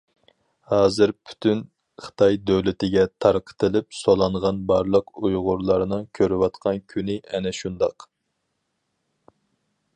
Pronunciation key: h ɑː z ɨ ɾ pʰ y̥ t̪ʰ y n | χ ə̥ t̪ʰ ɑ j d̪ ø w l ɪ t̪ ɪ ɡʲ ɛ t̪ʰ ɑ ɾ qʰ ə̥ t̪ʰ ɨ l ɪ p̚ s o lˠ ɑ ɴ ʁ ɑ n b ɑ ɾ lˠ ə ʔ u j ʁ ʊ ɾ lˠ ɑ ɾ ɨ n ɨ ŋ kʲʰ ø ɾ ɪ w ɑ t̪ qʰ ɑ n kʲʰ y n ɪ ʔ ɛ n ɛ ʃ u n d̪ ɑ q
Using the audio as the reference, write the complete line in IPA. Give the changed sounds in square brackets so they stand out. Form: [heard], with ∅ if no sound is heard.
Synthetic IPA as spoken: h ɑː z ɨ ɾ pʰ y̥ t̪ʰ y n | χ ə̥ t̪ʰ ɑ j d̪ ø w l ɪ t̪ ɪ ɡʲ ɛ t̪ʰ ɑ ɾ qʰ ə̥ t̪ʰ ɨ l ɪ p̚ s o lˠ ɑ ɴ ʁ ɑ n b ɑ ɾ lˠ ə [q] u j ʁ ʊ ɾ lˠ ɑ ɾ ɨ n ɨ ŋ kʲʰ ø ɾ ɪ w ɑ t̪ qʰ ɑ n kʲʰ y n ɪ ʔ ɛ n ɛ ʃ u n d̪ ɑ q